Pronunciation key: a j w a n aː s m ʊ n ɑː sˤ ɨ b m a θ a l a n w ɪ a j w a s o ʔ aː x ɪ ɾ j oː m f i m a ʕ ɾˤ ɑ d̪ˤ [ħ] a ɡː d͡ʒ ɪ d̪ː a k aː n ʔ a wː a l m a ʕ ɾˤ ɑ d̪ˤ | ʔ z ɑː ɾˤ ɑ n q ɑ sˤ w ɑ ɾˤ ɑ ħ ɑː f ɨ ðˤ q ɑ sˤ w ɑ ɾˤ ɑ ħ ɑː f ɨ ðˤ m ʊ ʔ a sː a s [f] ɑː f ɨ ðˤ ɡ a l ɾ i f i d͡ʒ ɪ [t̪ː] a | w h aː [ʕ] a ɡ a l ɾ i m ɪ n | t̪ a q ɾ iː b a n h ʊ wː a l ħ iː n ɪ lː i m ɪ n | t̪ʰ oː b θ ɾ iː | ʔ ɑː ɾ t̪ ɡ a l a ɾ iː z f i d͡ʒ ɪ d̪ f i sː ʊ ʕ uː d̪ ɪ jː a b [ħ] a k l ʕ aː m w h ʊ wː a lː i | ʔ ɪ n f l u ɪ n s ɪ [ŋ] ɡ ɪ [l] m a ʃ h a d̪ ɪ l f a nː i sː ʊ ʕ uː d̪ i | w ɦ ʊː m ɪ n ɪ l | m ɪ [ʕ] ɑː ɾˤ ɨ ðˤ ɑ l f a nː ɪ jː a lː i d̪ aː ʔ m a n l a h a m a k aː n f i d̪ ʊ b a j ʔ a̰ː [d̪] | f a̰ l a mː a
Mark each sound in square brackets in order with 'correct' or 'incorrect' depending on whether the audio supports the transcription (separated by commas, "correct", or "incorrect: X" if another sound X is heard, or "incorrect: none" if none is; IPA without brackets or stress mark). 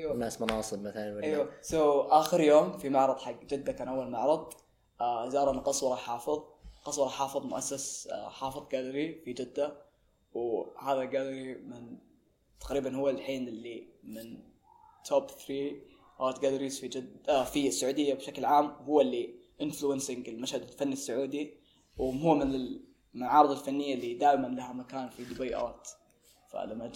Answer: correct, incorrect: ħ, incorrect: d̪ː, incorrect: ð, incorrect: ʃ, correct, correct, correct, incorrect: t̪